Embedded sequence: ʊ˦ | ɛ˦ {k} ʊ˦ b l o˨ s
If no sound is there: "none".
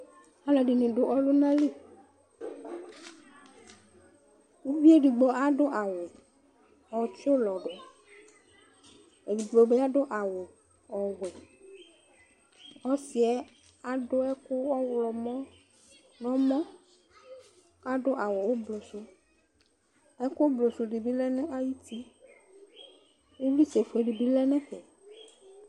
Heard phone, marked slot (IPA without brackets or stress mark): k